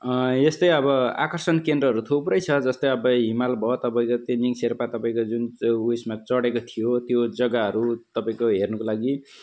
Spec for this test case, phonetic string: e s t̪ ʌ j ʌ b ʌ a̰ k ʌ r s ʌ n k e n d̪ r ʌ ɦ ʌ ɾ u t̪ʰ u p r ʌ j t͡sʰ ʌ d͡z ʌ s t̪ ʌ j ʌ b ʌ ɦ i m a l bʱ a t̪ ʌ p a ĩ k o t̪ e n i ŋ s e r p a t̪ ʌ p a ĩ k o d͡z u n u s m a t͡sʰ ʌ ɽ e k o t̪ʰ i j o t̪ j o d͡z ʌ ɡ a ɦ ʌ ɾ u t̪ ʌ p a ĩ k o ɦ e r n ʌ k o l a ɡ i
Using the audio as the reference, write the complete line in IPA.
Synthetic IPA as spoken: e s t̪ ʌ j ʌ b ʌ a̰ k ʌ r s ʌ n k e n d̪ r ʌ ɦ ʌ ɾ u t̪ʰ u p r ʌ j t͡sʰ ʌ d͡z ʌ s t̪ ʌ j ʌ b ʌ ɦ i m a l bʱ ʌ t̪ ʌ p a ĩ k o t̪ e n i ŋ s e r p a t̪ ʌ p a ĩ k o d͡z u n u s m a t͡s ʌ ɽ e k o t̪ʰ i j o t̪ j o d͡z ʌ ɡ a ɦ ʌ ɾ u t̪ ʌ p a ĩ k o ɦ e r n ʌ k o l a ɡ i

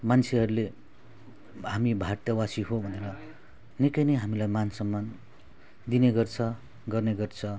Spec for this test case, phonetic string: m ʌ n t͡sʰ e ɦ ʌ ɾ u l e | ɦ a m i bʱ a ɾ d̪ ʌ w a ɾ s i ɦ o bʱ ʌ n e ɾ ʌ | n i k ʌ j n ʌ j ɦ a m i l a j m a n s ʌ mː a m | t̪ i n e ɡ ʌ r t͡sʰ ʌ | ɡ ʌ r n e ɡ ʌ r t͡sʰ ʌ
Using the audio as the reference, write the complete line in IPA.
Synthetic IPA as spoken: m a n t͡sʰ e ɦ ʌ ɾ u l e | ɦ a m i bʱ a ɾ t̪ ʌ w a s i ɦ o bʱ ʌ n e ɾ ʌ | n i k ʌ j n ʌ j ɦ a m i l a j m a n s ʌ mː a n | d̪ i n e ɡ ʌ r t͡sʰ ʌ | ɡ ʌ r n e ɡ ʌ r t͡sʰ ʌ

